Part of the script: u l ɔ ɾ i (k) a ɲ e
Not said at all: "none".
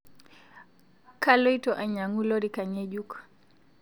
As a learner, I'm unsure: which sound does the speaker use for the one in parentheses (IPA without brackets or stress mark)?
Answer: k